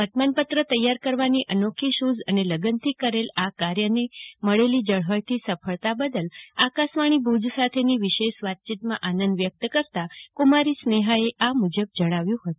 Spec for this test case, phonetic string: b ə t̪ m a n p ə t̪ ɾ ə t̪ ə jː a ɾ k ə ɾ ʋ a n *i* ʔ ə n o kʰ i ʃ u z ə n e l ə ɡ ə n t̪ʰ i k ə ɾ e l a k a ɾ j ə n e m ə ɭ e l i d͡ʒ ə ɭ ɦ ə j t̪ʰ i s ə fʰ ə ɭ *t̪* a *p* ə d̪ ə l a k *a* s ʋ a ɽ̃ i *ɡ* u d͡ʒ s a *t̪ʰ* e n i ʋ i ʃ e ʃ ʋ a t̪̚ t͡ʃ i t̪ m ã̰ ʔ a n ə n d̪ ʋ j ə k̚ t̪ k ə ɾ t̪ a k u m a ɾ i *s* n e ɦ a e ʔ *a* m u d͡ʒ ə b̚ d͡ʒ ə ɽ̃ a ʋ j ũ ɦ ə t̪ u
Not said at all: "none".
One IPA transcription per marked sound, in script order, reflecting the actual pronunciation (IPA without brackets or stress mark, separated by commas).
i, t̪, b, a, b, t̪ʰ, s, a